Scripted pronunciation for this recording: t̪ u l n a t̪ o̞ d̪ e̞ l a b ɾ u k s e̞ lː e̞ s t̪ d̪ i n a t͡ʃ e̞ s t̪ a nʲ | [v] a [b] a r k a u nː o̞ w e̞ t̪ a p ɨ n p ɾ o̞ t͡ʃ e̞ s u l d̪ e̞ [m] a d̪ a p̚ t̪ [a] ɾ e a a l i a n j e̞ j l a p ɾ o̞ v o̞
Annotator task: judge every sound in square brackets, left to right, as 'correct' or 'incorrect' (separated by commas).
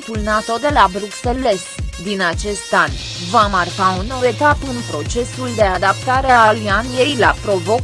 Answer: correct, incorrect, incorrect, correct